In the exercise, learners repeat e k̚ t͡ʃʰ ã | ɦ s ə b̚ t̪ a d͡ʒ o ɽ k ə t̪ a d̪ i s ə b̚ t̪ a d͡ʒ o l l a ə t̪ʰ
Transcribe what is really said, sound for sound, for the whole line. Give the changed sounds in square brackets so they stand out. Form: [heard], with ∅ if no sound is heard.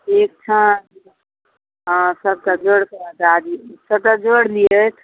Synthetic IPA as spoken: e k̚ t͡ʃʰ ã | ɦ s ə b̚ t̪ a d͡ʒ o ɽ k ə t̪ a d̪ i s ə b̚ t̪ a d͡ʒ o [ɽ] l [i] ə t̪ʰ

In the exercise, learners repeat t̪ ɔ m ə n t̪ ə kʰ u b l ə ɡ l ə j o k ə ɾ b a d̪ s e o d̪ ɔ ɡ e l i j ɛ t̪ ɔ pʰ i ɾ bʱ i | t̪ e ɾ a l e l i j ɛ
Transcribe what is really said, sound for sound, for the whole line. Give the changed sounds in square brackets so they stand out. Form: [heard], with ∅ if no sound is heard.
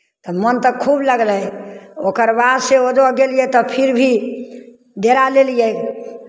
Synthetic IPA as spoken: t̪ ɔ m ə n t̪ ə kʰ u b l ə ɡ l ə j o k ə ɾ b a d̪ s e o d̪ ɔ ɡ e l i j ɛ t̪ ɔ pʰ i ɾ bʱ i | [d̪] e ɾ a l e l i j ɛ

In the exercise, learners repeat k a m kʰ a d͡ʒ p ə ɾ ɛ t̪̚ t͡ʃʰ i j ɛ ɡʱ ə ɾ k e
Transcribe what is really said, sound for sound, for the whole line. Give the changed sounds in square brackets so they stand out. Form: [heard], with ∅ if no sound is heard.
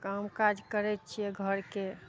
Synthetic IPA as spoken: k a m [k] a d͡ʒ [k] ə ɾ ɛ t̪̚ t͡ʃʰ i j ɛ ɡʱ ə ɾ k e

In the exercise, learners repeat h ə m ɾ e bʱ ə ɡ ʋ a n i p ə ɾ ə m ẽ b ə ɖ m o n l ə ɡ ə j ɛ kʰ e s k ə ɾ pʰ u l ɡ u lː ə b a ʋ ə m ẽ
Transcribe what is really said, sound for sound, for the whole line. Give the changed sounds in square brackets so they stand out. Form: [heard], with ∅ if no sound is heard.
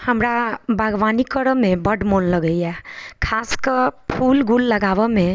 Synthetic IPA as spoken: h ə m ɾ [a] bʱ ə ɡ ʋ a n i [k] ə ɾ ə m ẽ b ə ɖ m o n l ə ɡ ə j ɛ kʰ [a] s k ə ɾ pʰ u l ɡ u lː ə [ɡ] a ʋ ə m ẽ

